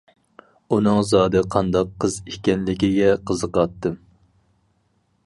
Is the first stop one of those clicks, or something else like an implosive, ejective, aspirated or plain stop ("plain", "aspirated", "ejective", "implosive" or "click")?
plain